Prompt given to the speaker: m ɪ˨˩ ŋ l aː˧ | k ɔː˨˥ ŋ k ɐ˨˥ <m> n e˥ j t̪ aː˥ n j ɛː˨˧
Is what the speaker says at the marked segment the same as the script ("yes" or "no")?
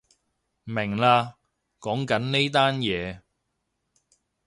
no